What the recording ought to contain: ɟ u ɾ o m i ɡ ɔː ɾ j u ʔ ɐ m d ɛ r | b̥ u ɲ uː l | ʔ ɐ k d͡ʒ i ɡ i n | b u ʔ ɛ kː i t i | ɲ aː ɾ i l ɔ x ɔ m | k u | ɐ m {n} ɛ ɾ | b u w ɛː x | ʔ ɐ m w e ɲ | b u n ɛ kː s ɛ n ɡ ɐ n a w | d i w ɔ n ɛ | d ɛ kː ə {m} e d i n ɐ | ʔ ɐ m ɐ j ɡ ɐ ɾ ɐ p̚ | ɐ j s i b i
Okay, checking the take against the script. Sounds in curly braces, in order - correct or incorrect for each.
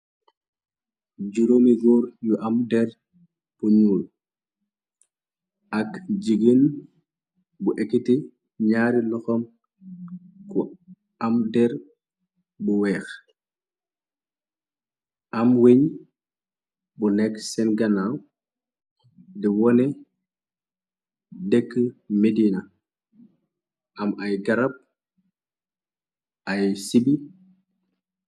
incorrect: d, correct

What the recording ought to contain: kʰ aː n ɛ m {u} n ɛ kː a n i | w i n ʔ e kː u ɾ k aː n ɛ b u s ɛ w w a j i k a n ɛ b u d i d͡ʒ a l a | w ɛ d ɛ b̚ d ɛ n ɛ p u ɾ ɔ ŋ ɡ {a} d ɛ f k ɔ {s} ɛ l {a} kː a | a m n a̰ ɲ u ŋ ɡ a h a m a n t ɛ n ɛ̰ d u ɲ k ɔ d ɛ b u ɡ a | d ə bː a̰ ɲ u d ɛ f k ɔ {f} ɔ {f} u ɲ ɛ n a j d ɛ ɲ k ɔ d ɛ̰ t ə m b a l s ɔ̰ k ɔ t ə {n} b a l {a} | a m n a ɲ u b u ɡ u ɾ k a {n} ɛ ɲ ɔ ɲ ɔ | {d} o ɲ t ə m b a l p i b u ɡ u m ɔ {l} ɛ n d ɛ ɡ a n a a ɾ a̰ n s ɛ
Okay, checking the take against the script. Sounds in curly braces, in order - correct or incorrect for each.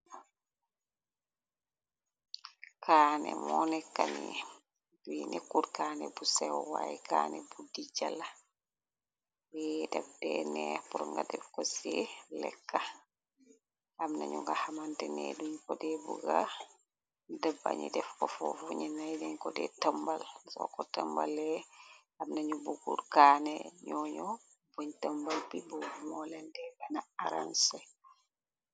incorrect: ɔ, correct, correct, incorrect: ɛ, correct, correct, incorrect: m, incorrect: ɛ, correct, incorrect: b, correct

